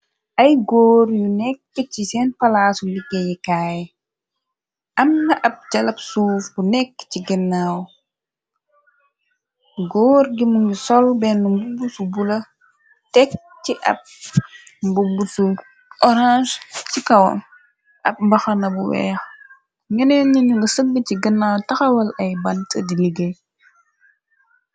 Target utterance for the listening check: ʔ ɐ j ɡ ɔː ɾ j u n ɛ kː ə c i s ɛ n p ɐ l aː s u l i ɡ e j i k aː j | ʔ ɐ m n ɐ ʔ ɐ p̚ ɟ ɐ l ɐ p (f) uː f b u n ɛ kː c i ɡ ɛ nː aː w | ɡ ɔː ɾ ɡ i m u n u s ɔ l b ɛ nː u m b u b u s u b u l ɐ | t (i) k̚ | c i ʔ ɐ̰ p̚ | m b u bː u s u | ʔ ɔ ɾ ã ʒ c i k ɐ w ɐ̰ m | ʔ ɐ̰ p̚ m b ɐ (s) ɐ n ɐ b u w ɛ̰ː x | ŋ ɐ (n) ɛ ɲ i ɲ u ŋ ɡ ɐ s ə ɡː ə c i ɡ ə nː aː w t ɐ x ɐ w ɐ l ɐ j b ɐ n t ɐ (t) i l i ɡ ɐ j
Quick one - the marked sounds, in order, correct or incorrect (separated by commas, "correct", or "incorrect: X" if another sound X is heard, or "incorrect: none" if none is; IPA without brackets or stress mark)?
incorrect: s, incorrect: ɛ, incorrect: x, correct, incorrect: d